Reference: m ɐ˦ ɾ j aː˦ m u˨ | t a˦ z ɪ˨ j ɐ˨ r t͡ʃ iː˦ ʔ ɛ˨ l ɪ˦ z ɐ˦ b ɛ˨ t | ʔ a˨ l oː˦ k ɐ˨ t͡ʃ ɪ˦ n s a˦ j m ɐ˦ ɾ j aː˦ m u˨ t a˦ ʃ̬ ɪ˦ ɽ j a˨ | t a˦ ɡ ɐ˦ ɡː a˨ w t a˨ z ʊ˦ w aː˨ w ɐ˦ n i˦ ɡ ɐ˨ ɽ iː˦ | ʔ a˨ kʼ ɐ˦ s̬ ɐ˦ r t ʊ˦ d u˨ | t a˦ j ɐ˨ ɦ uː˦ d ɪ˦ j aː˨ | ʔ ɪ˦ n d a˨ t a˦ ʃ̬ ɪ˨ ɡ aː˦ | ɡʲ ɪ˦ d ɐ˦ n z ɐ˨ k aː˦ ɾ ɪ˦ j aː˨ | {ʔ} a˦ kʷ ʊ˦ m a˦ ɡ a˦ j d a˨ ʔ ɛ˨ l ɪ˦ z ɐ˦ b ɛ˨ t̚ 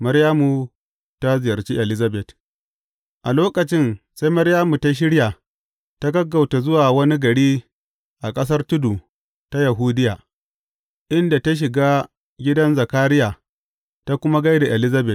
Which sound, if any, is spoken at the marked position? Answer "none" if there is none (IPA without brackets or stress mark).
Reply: t